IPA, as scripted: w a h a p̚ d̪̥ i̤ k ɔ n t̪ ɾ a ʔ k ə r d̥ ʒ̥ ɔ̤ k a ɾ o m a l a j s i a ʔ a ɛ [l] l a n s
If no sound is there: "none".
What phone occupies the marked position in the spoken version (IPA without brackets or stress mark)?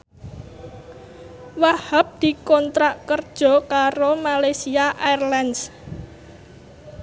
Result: r